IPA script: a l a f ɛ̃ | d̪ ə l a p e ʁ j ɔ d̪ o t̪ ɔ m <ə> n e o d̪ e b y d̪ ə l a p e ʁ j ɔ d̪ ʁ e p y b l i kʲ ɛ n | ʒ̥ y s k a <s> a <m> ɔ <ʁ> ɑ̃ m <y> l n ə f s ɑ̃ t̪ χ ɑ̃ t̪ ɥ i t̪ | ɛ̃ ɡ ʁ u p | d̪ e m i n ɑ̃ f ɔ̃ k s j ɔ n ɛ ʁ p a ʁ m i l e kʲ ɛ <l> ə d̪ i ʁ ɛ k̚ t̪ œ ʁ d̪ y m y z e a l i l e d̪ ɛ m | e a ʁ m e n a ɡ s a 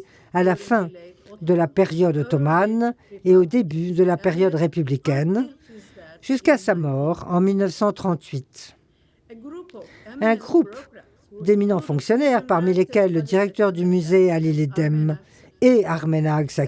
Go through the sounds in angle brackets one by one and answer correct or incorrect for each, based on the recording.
incorrect: a, correct, correct, correct, incorrect: i, incorrect: lː

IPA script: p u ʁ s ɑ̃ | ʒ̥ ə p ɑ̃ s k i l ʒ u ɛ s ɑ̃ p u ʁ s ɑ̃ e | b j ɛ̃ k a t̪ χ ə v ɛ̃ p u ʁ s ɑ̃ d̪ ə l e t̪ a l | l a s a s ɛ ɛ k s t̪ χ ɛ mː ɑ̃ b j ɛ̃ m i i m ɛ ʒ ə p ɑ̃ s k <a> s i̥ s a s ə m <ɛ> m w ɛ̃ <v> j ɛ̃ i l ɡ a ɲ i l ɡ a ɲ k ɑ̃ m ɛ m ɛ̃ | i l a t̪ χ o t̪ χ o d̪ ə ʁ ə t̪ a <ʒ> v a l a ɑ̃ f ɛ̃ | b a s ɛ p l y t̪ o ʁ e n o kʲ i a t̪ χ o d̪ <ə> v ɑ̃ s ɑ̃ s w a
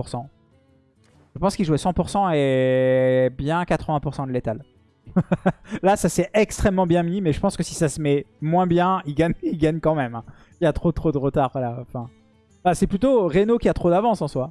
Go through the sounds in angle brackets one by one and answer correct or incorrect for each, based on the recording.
incorrect: ə, correct, incorrect: b, incorrect: ʁ, incorrect: a

